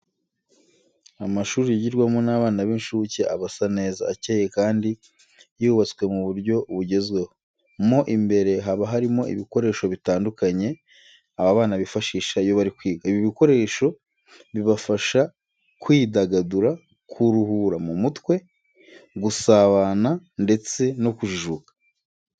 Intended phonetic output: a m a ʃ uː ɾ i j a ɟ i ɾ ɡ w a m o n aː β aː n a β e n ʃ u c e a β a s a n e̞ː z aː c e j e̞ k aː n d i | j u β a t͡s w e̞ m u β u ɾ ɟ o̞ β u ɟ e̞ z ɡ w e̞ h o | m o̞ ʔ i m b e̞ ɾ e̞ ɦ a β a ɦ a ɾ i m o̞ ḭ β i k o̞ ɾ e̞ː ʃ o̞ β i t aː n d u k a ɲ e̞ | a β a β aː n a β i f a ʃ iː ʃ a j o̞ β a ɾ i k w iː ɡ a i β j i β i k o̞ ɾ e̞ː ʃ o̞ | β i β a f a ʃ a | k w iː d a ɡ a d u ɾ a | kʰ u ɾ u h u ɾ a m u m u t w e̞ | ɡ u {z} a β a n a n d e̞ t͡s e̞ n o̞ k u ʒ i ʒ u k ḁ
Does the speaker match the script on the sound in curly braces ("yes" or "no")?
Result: no